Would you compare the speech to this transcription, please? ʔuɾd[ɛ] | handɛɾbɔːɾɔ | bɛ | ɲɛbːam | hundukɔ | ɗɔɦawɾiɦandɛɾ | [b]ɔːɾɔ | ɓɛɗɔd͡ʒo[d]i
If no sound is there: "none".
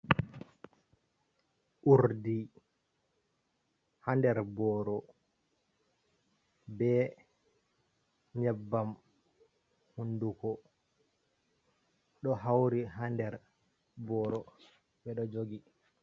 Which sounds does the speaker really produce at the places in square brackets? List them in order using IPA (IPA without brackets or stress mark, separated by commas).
i, b, ɡ